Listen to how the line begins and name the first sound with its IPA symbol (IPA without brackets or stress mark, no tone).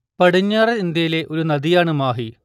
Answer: p